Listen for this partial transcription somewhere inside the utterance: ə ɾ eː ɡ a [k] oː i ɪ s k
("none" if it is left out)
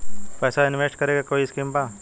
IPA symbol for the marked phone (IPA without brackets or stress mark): k